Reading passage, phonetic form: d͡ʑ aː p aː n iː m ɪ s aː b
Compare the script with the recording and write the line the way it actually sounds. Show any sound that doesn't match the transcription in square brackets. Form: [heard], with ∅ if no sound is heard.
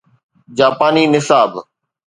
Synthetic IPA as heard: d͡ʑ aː p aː n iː [n] ɪ s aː b